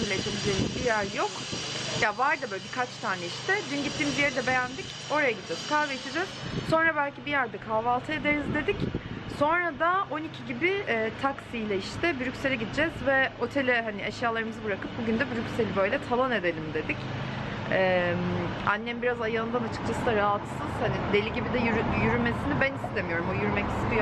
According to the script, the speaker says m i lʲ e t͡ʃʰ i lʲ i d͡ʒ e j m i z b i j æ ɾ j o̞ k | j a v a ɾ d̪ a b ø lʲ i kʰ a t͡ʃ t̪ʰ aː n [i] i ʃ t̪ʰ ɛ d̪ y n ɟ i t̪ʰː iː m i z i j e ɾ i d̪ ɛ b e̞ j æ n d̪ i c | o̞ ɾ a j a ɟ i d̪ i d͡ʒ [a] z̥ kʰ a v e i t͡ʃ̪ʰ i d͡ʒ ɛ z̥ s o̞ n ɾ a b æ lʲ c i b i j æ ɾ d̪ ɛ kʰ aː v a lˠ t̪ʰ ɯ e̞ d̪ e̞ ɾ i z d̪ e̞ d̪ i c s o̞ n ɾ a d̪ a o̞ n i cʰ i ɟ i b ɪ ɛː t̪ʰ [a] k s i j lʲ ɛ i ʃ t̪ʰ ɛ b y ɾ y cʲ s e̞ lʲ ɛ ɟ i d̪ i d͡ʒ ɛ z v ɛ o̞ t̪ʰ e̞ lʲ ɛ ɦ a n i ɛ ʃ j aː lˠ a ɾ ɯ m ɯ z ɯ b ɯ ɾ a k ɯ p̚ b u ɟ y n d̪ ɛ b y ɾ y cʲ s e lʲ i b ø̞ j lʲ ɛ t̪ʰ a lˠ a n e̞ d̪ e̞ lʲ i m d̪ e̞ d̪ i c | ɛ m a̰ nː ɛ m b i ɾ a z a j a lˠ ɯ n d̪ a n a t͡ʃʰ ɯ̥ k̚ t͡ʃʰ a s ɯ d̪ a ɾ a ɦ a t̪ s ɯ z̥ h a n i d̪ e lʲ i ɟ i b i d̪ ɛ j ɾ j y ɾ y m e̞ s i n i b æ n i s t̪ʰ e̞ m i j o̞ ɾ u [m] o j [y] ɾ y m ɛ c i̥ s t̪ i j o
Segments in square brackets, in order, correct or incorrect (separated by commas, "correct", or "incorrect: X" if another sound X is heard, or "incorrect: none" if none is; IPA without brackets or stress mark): incorrect: ɛ, incorrect: ɛ, correct, correct, correct